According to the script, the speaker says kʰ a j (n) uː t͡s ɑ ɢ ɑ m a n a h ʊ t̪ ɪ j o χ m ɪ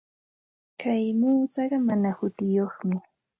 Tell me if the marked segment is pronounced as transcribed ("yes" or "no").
no